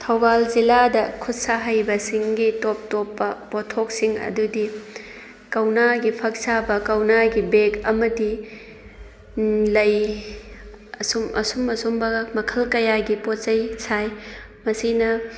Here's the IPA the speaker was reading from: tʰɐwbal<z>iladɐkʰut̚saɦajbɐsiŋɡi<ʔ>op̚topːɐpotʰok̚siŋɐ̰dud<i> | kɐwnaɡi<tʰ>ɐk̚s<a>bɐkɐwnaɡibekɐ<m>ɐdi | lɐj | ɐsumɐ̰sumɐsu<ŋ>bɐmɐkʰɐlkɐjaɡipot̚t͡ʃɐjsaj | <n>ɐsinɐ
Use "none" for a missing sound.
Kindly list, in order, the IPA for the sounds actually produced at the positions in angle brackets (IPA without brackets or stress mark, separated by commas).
z, t, i, pʰ, a, m, m, m